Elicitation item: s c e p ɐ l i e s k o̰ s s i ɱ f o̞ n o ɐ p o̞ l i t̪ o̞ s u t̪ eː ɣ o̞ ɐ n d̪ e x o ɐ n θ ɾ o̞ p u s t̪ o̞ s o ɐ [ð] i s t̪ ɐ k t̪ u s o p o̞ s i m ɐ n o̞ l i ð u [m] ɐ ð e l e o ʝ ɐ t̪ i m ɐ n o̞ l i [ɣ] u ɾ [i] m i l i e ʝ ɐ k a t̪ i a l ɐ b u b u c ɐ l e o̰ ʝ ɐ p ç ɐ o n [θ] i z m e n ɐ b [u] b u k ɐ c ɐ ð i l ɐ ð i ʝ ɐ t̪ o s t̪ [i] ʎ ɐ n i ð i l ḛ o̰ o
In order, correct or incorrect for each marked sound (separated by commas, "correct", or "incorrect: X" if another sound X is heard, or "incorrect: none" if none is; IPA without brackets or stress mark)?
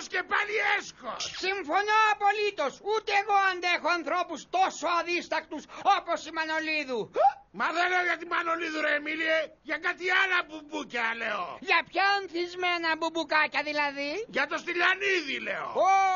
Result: correct, correct, incorrect: ð, incorrect: e, correct, correct, correct